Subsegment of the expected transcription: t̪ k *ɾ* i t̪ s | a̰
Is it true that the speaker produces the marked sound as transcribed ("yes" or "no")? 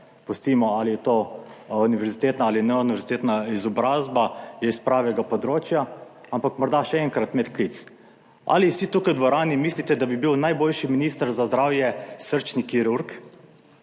no